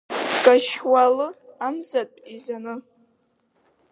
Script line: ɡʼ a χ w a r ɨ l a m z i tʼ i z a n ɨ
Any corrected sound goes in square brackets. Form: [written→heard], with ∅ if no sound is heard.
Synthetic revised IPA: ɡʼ a [χ→ʃ] w a [r→l] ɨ [l→∅] a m z [i→a] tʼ i z a n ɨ